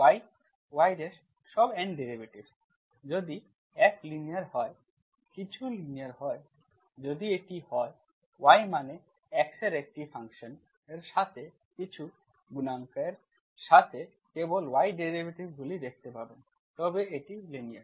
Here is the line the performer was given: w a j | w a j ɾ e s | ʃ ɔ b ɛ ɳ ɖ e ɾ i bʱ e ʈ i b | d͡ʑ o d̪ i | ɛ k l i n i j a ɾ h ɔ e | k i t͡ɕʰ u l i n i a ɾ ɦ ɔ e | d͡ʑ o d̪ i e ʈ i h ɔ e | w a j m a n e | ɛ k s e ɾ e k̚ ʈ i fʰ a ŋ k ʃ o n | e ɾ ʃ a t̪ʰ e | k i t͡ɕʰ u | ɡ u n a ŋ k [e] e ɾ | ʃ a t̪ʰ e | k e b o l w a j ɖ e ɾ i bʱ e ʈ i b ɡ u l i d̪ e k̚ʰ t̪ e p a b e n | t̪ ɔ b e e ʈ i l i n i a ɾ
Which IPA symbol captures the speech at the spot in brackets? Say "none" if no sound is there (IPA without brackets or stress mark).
a